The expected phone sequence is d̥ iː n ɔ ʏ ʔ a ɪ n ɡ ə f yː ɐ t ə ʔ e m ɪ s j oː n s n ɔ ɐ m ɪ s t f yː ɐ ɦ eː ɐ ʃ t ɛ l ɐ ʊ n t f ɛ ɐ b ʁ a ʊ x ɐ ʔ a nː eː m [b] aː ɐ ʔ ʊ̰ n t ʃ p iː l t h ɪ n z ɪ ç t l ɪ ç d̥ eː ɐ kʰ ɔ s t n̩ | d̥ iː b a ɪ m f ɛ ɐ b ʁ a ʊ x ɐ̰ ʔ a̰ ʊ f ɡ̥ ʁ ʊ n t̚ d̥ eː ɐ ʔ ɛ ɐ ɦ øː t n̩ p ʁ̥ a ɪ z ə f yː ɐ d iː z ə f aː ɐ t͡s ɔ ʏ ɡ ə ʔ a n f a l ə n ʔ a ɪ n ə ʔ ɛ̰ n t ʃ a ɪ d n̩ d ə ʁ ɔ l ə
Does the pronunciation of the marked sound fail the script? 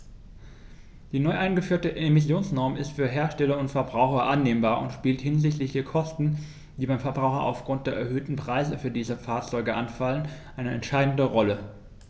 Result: no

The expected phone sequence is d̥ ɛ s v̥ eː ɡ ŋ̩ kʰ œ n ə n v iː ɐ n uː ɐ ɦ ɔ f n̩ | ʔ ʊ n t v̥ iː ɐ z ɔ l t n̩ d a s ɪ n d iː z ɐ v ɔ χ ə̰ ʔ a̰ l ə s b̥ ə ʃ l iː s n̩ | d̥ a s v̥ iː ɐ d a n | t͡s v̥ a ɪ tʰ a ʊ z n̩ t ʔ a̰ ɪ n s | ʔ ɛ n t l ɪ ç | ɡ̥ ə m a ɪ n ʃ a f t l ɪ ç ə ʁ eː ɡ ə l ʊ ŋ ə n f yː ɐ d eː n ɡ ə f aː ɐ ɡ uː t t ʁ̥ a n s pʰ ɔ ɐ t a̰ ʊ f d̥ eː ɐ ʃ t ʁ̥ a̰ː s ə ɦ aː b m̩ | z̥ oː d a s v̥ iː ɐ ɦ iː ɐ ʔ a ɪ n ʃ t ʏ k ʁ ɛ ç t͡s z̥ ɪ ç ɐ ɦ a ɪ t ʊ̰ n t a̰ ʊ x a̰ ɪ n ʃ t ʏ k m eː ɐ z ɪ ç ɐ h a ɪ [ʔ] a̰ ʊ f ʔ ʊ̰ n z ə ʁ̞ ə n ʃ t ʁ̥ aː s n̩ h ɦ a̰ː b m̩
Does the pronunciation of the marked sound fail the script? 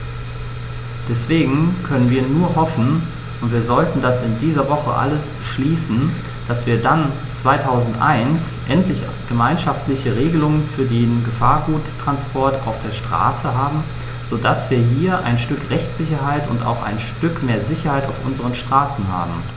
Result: yes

